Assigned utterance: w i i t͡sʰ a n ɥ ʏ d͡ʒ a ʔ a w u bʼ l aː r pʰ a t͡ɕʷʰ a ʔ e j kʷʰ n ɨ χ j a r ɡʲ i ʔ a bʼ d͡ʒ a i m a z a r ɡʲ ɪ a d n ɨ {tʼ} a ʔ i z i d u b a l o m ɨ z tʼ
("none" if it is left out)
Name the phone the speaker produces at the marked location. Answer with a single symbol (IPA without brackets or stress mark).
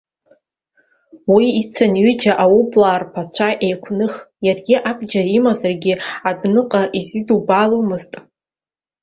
qʼ